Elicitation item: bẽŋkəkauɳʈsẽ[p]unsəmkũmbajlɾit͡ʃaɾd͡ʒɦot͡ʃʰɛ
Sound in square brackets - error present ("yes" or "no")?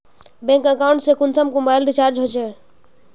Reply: yes